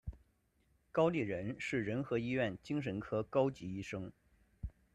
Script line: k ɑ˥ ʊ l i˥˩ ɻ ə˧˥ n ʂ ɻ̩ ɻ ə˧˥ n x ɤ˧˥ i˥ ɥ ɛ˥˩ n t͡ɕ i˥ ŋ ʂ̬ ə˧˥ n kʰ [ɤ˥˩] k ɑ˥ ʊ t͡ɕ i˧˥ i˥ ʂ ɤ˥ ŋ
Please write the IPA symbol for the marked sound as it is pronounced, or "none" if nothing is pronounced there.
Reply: ɤ˥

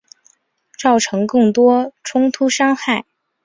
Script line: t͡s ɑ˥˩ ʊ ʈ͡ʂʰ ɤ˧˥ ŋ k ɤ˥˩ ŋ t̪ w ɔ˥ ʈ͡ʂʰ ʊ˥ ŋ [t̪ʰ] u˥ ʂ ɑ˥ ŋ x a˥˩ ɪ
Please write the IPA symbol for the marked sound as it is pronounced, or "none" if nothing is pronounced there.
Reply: t̪ʰ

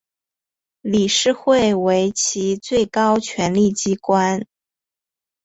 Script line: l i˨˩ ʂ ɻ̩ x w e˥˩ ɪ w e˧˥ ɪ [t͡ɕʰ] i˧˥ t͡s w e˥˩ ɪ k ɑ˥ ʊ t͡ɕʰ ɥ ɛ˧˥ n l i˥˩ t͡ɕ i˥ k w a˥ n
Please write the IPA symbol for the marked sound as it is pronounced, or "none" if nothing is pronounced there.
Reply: t͡ɕʰ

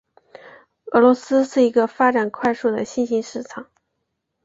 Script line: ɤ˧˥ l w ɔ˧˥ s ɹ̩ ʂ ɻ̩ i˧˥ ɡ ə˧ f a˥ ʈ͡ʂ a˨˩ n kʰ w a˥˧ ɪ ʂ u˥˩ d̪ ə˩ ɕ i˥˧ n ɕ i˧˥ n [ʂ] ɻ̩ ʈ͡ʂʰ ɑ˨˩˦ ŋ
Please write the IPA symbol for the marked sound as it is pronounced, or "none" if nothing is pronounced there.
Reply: ʂ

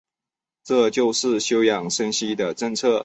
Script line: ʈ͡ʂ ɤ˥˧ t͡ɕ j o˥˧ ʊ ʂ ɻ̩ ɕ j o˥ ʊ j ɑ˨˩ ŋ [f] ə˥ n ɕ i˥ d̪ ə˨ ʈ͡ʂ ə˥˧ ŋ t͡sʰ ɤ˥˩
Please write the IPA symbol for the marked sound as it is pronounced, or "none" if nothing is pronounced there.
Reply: ʂ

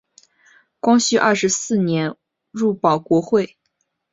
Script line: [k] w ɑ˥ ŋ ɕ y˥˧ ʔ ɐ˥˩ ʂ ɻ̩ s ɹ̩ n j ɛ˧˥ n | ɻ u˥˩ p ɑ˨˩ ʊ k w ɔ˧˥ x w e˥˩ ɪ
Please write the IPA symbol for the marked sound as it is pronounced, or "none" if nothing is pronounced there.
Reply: k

